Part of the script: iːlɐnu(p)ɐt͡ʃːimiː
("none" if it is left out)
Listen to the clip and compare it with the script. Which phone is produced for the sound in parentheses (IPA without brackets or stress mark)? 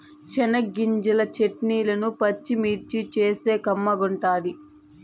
p